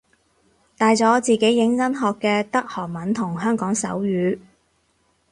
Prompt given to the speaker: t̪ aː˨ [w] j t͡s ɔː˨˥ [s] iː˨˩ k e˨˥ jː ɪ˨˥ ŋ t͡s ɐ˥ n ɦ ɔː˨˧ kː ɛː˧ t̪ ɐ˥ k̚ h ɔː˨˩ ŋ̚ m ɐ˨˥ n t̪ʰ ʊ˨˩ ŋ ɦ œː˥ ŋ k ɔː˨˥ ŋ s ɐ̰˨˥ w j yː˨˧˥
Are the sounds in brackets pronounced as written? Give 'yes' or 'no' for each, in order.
no, no

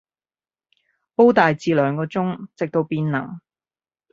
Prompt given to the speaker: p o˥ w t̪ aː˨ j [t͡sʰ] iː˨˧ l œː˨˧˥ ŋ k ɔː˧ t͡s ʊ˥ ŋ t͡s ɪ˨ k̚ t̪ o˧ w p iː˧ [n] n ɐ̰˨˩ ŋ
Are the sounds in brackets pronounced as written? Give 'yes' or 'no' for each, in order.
no, yes

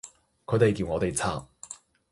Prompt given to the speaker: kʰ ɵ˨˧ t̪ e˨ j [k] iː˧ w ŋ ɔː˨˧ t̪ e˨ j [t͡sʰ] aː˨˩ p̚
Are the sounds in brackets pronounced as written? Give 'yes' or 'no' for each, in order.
yes, yes

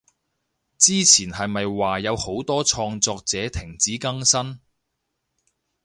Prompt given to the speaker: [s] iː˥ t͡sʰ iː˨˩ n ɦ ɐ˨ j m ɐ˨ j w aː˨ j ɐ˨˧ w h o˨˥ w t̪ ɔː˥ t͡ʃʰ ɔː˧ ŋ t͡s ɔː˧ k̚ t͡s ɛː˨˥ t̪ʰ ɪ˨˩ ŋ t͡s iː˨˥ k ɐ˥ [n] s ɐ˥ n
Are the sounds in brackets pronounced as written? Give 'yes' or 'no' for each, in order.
no, no

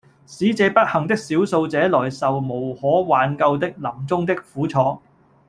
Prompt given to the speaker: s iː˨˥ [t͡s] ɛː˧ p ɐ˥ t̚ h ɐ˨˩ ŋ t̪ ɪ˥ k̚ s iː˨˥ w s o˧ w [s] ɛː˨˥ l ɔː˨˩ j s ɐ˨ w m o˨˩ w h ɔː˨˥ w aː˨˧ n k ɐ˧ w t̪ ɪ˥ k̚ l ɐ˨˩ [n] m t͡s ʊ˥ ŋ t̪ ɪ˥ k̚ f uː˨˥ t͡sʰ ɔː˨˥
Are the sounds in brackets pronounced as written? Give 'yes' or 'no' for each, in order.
yes, no, no

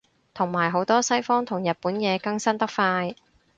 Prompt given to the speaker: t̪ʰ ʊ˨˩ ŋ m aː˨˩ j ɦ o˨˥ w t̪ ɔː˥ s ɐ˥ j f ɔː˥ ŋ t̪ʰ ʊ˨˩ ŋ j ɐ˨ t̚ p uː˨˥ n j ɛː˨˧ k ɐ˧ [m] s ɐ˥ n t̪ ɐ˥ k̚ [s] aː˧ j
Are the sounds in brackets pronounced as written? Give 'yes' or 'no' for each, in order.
no, no

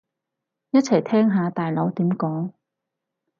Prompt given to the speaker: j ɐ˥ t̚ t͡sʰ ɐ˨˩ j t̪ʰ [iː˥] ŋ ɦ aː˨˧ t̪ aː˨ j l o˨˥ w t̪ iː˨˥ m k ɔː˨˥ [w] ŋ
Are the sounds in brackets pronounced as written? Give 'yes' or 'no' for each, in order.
no, no

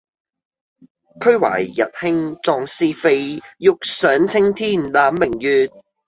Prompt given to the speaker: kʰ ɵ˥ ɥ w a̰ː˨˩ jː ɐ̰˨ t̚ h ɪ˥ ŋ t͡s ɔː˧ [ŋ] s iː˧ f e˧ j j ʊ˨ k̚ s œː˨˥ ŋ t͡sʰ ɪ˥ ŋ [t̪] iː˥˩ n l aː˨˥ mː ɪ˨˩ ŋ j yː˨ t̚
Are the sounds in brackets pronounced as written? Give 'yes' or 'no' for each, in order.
yes, no

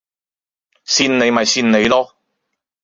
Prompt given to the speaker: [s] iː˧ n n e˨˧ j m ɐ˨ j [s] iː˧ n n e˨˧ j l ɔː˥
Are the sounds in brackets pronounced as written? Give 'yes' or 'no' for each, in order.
yes, yes

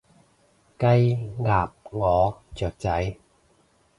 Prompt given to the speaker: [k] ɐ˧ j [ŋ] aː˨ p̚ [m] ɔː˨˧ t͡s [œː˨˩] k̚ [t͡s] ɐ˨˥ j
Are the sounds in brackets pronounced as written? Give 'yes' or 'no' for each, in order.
yes, yes, no, yes, yes

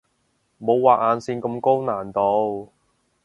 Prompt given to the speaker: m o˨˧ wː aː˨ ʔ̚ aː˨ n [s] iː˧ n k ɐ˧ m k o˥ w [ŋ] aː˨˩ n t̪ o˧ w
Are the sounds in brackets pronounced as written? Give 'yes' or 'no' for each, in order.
yes, no

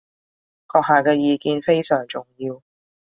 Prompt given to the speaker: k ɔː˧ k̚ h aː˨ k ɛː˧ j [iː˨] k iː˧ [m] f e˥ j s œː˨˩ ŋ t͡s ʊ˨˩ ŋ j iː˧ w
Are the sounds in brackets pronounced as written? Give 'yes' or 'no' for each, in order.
yes, no

